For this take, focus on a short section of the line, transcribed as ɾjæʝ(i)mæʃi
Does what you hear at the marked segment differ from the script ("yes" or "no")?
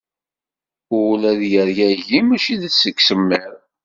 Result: no